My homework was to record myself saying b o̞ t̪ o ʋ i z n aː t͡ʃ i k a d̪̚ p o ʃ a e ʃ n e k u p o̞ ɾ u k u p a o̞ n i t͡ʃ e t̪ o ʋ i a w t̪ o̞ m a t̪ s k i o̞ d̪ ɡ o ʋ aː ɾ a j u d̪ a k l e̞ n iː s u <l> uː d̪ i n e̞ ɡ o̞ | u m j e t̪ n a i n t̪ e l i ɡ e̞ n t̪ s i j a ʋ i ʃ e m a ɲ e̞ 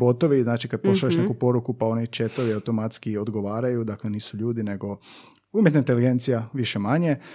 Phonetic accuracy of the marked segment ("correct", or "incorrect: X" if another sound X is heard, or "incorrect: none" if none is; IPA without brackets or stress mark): incorrect: ʎ